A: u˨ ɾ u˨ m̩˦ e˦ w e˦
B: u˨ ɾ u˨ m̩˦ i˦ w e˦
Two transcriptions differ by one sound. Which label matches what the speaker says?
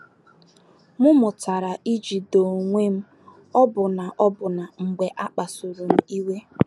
B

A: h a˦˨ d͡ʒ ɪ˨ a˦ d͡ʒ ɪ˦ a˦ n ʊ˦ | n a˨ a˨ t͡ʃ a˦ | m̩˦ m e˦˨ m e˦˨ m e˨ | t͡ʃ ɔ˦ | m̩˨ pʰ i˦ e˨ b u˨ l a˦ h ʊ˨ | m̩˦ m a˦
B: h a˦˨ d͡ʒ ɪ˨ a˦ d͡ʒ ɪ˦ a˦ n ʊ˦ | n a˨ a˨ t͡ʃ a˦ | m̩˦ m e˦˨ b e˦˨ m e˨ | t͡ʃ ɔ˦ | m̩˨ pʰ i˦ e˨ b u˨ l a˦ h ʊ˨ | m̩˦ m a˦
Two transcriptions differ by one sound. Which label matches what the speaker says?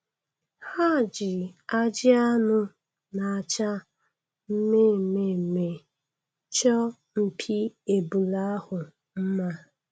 A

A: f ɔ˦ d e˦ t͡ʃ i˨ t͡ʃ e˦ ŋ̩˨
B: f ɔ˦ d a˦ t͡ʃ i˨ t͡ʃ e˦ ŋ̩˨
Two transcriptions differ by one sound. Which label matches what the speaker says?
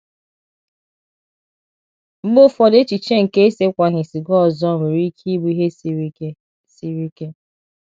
A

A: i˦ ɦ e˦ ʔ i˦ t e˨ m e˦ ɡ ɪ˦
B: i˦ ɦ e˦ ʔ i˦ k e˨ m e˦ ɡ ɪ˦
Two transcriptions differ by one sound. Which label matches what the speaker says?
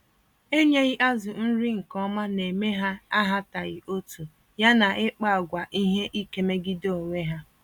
B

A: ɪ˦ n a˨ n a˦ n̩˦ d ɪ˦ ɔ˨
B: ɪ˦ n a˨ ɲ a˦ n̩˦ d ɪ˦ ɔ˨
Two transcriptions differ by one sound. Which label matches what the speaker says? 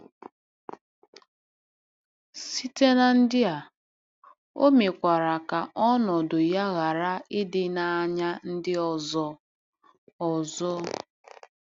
B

